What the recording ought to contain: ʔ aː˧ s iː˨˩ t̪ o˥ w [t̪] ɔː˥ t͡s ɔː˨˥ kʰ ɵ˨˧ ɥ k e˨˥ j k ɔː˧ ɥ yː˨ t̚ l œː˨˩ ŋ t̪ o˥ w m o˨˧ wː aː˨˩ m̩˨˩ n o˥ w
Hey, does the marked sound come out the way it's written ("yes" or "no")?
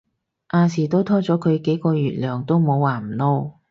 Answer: no